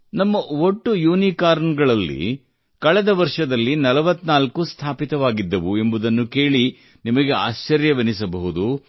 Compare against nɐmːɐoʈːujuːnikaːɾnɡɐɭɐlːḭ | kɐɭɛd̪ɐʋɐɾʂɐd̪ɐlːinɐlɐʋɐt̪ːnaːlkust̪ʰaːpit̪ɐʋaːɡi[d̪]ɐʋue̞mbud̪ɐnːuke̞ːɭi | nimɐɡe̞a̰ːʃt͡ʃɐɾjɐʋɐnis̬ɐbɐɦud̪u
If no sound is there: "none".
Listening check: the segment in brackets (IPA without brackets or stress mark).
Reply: d̪ː